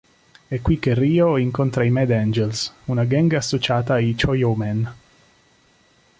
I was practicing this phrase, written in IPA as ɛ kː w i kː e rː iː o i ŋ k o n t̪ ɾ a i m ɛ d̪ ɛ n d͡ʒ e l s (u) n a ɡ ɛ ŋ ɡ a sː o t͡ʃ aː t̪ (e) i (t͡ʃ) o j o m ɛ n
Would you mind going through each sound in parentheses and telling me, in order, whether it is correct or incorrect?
correct, incorrect: a, correct

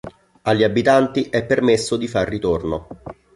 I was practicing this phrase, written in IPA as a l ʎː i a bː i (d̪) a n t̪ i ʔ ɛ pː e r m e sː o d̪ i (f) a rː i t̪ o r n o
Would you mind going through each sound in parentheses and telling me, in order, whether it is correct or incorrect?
incorrect: t̪, correct

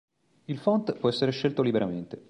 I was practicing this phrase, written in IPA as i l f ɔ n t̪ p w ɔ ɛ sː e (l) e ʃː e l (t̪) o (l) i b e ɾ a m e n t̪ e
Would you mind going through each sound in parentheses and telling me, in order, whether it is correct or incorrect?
incorrect: ɾ, correct, correct

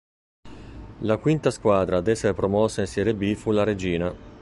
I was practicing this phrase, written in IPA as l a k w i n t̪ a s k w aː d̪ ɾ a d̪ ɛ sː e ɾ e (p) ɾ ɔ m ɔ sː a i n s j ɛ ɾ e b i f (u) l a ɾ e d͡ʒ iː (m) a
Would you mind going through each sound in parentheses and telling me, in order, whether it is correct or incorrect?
correct, correct, incorrect: n

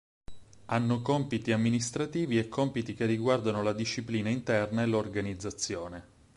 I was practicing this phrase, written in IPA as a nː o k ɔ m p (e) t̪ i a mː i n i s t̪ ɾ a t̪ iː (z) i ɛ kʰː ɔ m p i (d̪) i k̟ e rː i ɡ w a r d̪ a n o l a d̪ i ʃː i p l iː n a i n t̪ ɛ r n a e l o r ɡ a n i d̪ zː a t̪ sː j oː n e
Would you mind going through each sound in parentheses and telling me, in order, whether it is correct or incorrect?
incorrect: i, incorrect: v, incorrect: t̪

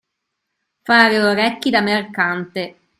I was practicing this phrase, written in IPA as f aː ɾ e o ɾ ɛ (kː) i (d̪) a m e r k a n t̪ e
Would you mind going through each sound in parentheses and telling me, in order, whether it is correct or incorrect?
correct, correct

